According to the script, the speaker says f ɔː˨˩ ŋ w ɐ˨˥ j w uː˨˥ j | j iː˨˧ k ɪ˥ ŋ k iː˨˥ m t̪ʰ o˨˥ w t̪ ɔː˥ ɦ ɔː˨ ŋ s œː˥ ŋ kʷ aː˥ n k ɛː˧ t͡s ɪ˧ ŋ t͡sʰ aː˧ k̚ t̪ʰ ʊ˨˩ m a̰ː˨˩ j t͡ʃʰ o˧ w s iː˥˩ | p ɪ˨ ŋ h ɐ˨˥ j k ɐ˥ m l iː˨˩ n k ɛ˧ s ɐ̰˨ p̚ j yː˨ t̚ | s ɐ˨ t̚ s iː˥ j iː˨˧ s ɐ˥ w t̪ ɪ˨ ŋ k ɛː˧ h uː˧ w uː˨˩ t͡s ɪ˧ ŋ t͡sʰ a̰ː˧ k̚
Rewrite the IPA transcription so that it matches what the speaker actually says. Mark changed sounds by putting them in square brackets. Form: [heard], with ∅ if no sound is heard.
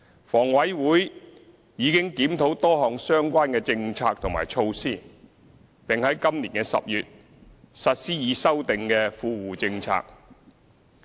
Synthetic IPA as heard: f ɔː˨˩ ŋ w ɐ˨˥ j w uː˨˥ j | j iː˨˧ k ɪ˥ ŋ k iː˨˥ m t̪ʰ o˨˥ w t̪ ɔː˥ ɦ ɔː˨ ŋ s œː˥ ŋ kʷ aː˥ n k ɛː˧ t͡s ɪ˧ ŋ t͡sʰ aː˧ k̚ t̪ʰ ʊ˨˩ m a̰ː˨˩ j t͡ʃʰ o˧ w s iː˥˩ | p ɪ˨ ŋ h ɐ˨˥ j k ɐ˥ m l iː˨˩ n k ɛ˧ s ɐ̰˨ p̚ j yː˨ t̚ | s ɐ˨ t̚ s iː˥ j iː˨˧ s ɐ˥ w t̪ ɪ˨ ŋ k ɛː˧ [f] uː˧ w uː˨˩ t͡s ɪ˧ ŋ t͡sʰ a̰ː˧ k̚